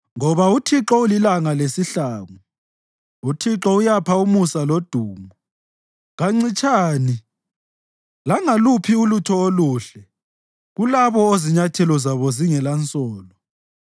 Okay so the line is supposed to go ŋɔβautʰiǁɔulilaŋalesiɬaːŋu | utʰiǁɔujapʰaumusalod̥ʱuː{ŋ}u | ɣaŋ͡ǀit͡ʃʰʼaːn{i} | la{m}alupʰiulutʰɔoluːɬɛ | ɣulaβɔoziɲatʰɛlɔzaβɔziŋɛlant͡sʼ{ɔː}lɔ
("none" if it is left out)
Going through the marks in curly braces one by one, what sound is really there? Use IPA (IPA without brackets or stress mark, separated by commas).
m, i, ŋ, ɔː